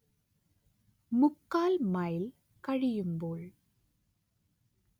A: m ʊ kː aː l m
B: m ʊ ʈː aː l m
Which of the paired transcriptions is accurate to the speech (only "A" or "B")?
A